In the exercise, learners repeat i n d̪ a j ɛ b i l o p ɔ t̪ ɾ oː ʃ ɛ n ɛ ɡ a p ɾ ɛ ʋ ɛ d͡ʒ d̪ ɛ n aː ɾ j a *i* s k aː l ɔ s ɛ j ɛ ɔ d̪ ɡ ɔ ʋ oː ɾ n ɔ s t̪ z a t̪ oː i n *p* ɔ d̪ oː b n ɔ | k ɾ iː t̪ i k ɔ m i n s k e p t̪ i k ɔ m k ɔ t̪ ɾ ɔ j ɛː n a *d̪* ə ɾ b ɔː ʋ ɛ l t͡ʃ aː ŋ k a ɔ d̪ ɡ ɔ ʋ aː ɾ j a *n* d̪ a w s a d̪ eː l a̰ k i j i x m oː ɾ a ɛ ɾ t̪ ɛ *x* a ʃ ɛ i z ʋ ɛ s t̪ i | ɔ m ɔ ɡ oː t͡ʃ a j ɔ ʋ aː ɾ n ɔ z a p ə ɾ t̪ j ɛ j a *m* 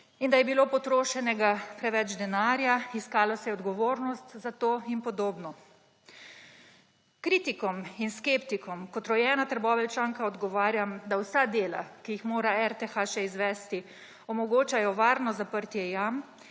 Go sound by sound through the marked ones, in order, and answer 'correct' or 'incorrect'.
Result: correct, correct, incorrect: t̪, incorrect: m, correct, correct

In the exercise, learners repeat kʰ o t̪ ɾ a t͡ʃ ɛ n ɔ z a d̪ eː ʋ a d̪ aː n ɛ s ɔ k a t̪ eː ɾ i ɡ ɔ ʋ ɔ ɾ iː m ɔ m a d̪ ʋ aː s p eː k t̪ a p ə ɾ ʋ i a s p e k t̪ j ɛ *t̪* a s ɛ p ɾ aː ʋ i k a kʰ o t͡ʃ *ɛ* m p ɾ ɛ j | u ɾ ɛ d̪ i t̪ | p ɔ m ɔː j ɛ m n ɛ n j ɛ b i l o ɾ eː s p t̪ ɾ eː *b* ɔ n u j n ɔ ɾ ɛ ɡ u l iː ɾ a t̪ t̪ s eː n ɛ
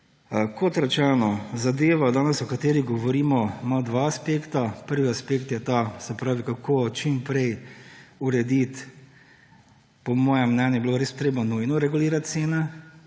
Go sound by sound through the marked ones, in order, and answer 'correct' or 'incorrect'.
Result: correct, incorrect: i, correct

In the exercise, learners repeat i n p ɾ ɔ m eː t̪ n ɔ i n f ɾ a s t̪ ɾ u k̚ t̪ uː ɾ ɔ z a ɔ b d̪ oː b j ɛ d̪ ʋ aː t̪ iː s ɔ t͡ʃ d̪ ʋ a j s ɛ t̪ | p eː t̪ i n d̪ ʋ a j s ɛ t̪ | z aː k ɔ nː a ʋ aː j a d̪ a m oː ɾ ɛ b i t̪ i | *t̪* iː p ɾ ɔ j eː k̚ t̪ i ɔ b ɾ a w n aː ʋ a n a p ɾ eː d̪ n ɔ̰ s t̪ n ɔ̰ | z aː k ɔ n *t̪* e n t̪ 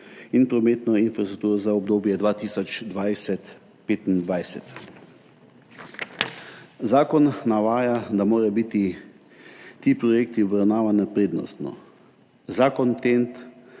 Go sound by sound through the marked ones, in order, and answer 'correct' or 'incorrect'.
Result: correct, correct

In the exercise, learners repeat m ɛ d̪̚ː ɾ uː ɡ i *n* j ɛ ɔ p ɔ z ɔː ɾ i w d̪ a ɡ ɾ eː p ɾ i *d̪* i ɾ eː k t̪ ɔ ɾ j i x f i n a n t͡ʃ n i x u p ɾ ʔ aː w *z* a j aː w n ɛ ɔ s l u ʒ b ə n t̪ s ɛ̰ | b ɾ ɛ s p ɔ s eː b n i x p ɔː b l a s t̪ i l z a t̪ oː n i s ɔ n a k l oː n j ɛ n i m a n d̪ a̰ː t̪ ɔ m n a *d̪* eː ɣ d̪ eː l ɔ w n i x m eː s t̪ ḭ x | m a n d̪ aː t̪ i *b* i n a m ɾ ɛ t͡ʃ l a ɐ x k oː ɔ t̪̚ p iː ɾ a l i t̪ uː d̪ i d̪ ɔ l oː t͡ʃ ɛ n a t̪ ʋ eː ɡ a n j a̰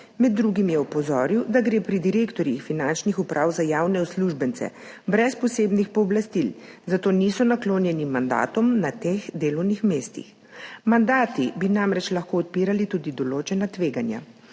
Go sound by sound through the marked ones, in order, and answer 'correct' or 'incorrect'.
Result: incorrect: m, correct, correct, incorrect: t̪, correct

